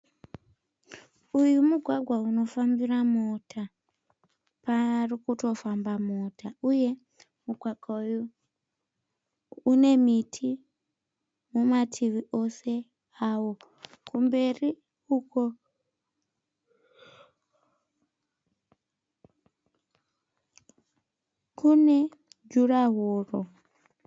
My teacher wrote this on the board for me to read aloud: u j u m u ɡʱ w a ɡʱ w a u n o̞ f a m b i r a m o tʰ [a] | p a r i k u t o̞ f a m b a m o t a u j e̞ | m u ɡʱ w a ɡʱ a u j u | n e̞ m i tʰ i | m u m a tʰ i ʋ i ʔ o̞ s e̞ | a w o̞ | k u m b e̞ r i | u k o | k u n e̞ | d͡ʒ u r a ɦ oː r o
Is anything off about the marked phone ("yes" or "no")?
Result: no